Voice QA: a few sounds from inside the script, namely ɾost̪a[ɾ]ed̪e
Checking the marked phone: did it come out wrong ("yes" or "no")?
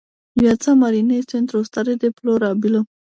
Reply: no